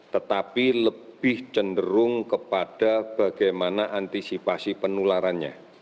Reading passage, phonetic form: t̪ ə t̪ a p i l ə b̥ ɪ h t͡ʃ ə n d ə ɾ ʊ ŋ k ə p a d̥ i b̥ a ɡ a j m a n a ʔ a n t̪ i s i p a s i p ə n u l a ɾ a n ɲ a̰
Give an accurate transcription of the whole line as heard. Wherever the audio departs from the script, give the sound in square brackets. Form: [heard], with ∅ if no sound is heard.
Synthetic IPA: t̪ ə t̪ a p i l ə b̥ ɪ h t͡ʃ ə n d ə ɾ ʊ ŋ k ə p a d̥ [a] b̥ a ɡ a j m a n a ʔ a n t̪ i s i p a s i p ə n u l a ɾ a n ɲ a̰